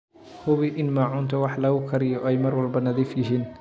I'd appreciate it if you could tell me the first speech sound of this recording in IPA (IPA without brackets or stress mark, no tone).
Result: h